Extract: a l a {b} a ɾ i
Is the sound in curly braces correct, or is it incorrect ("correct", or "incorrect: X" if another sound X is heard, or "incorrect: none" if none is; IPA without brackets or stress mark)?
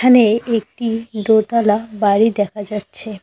correct